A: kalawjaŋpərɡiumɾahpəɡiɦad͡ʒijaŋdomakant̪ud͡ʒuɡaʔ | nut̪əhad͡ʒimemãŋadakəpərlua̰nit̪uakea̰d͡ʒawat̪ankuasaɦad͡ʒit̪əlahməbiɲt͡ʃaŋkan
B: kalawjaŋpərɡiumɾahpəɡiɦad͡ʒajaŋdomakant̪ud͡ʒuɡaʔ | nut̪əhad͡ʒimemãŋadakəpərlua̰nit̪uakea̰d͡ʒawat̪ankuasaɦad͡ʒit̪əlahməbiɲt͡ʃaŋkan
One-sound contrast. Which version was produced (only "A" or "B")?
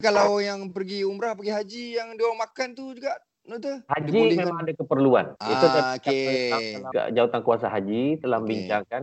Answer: A